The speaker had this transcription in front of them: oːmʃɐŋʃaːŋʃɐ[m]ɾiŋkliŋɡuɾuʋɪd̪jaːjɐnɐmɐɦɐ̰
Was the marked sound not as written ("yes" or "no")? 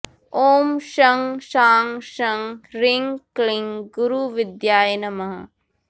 yes